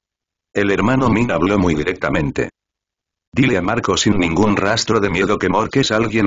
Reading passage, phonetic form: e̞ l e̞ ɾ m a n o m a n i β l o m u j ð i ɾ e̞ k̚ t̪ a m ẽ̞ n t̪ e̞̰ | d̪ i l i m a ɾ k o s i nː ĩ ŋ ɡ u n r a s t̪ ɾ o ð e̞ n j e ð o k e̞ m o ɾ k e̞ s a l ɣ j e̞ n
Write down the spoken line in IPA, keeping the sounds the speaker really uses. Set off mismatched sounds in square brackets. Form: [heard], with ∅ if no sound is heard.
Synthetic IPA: e̞ l e̞ ɾ m a n o m [i] n [a] β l o m u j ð i ɾ e̞ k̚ t̪ a m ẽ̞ n t̪ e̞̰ | d̪ i l [e] m a ɾ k o s i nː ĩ ŋ ɡ u n r a s t̪ ɾ o ð e̞ [m] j e ð o k e̞ m o ɾ k e̞ s a l ɣ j e̞ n